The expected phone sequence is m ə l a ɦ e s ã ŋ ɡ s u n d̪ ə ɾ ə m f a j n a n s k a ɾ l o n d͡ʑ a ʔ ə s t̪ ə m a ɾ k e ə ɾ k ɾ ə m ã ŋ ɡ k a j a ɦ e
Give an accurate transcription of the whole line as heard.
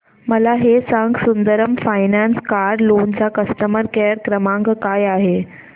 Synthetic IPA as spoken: m ə l a ɦ e s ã ŋ ɡ s u n d̪ ə ɾ ə m f a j n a n s k a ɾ l o n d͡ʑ a k ə s t̪ ə m ə ɾ k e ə ɾ k ɾ ə m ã ŋ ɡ k a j a ɦ e